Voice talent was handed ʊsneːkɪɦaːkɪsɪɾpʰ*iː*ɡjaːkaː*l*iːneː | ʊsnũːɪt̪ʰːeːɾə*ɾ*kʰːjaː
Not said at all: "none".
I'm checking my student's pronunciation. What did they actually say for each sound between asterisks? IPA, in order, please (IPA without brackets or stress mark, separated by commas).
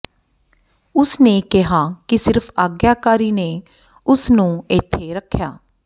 aː, ɾ, none